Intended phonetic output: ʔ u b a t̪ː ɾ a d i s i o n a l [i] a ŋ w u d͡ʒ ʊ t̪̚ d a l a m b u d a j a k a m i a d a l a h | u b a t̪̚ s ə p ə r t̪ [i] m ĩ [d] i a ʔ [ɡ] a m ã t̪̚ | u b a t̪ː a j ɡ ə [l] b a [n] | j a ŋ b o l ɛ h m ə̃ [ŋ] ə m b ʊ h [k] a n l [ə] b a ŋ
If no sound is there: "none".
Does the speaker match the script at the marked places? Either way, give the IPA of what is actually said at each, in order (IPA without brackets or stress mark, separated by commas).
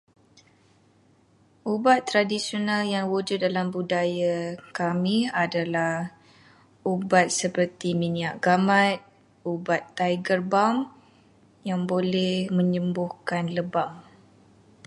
j, i, n, ɡ, r, m, ɲ, k, ə